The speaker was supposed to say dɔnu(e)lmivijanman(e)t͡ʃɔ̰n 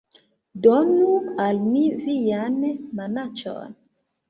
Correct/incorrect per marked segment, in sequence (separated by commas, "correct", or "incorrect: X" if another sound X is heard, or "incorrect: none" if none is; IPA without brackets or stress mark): incorrect: a, incorrect: a